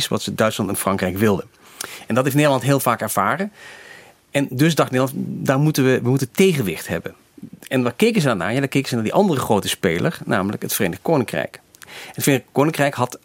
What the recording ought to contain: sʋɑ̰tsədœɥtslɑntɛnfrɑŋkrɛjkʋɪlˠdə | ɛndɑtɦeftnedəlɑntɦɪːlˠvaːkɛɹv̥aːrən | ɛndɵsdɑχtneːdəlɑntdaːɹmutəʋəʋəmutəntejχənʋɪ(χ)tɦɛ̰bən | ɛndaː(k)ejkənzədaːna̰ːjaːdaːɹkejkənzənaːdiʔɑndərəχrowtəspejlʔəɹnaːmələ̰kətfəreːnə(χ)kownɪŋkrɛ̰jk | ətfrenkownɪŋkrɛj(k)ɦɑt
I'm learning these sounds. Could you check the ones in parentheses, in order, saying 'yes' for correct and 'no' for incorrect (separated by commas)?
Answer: yes, yes, yes, yes